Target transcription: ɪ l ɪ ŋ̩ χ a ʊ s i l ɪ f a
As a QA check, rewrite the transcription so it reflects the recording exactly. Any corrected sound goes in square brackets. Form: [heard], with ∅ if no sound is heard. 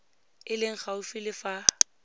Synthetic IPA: ɪ l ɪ ŋ̩ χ a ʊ [f] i l ɪ f a